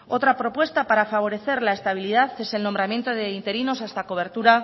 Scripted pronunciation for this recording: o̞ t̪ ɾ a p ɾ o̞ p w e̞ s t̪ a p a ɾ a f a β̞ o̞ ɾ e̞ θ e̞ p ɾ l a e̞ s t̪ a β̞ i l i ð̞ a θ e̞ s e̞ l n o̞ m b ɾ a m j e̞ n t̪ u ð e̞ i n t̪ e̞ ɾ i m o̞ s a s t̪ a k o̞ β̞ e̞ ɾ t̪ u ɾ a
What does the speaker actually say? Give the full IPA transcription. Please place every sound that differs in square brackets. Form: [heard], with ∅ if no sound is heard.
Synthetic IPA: o̞ t̪ ɾ a p ɾ o̞ p w e̞ s t̪ a p a ɾ a f a β̞ o̞ ɾ e̞ θ e̞ [∅] ɾ l a e̞ s t̪ a β̞ i l i ð̞ a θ e̞ s e̞ l n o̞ m b ɾ a m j e̞ n t̪ [o] ð e̞ i n t̪ e̞ ɾ i [n] o̞ s a s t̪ a k o̞ β̞ e̞ ɾ t̪ u ɾ a

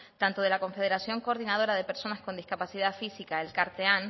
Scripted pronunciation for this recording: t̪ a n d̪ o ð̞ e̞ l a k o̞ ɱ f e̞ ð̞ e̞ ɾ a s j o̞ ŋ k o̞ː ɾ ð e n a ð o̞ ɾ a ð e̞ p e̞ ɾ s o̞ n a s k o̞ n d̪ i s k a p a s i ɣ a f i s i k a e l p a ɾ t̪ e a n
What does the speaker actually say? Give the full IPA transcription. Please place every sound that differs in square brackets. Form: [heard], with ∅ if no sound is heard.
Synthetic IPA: t̪ a n [t̪] o ð̞ e̞ l a k o̞ ɱ f e̞ ð̞ e̞ ɾ a s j o̞ ŋ k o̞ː ɾ ð [i] n a ð o̞ ɾ a ð e̞ p e̞ ɾ s o̞ n a s k o̞ n d̪ i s k a p a s i [ð] a f i s i k a e l [k] a ɾ t̪ e a n

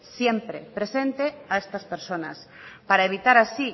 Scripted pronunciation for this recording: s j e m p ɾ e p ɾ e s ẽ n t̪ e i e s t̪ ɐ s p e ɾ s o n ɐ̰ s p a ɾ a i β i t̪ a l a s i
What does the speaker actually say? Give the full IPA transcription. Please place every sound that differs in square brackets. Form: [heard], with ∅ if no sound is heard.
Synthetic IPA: s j e m p ɾ e p ɾ e s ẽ n t̪ e [a] e s t̪ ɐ s p e ɾ s o n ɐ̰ s p a ɾ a [e] β i t̪ a [ɾ] a s i

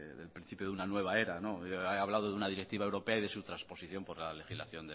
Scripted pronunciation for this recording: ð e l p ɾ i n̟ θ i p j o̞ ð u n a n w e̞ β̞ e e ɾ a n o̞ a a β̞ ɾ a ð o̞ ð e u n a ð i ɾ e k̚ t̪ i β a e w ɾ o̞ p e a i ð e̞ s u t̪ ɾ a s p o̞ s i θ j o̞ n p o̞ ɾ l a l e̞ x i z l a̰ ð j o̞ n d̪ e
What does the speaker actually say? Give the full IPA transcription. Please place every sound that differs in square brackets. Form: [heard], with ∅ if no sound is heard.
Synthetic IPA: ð e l p ɾ i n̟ θ i p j o̞ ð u n a n w e̞ β̞ [a] e ɾ a n o̞ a a β̞ [l] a ð o̞ ð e u n a ð i ɾ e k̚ t̪ i β a e w ɾ o̞ p e a i ð e̞ s u t̪ ɾ a s p o̞ s i θ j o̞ [m] p o̞ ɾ l a l e̞ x i z l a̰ [θ] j o̞ n d̪ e

